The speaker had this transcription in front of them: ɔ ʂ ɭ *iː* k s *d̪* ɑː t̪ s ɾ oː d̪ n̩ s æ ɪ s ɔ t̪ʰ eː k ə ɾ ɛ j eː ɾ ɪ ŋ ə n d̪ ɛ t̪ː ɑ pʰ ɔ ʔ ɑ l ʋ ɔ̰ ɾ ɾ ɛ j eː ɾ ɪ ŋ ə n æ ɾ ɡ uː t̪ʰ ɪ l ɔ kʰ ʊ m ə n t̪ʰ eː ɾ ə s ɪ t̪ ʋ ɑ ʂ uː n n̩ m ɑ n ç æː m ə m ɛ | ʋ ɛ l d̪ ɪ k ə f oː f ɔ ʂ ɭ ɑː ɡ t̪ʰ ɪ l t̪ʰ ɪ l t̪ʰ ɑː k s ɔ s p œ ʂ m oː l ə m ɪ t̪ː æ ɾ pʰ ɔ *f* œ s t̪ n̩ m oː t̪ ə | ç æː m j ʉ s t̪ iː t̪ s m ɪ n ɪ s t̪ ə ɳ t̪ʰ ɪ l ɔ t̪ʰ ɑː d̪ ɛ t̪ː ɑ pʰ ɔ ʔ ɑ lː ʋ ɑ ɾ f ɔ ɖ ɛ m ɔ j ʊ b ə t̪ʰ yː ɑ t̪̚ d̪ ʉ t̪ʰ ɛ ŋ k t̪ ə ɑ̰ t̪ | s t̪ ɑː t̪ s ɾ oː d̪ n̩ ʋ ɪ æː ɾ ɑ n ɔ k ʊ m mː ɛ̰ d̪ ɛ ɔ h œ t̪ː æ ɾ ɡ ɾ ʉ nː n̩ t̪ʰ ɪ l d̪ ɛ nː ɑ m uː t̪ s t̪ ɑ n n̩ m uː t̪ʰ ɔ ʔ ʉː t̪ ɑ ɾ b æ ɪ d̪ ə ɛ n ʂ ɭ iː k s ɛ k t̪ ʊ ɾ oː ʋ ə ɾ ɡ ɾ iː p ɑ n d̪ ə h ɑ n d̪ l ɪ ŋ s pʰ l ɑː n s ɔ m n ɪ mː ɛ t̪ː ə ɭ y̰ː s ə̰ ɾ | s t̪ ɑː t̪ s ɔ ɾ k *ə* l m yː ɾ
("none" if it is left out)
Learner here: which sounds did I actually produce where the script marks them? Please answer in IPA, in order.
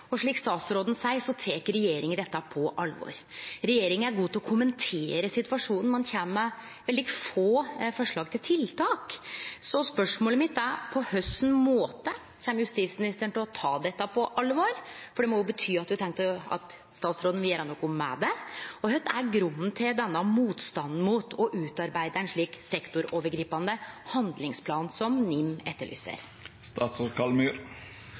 iː, t̪, h, ɑ

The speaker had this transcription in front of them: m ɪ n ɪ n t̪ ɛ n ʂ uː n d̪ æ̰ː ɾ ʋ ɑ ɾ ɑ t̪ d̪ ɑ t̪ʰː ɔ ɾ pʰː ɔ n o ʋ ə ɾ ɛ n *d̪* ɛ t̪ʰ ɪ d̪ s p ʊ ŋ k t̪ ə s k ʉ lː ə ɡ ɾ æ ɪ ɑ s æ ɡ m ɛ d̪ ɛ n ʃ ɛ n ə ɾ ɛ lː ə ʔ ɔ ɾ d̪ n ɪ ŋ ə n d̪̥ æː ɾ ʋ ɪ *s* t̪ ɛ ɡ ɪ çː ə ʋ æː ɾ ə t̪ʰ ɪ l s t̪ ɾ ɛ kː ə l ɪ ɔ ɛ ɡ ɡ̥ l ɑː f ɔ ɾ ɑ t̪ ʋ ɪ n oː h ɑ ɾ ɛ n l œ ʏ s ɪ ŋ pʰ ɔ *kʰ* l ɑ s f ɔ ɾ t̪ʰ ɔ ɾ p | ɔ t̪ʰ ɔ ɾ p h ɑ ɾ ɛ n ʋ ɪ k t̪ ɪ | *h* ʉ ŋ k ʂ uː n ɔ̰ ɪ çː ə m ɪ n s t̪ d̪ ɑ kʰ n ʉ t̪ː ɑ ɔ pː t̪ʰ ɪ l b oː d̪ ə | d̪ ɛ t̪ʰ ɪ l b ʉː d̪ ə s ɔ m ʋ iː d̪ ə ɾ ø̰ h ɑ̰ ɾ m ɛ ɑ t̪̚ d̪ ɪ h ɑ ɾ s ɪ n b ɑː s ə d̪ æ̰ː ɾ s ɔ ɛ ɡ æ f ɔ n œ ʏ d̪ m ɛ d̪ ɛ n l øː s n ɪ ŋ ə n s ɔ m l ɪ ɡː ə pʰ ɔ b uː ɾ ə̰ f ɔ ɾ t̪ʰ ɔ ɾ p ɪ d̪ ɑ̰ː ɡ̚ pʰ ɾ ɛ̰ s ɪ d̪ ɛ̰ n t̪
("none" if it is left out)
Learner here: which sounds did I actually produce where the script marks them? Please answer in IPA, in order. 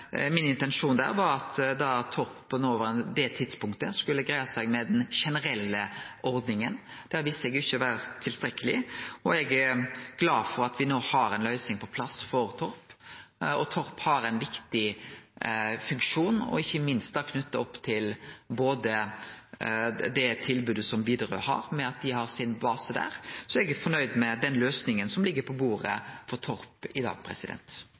d̪, s, pʰ, f

